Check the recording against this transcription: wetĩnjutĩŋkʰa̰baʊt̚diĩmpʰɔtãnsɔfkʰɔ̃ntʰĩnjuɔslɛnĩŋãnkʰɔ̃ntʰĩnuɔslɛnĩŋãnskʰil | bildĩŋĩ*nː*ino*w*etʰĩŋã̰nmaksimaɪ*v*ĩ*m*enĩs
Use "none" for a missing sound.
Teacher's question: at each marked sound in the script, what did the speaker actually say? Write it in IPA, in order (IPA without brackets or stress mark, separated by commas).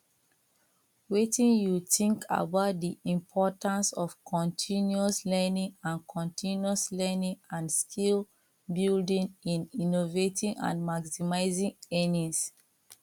n, v, z, ŋ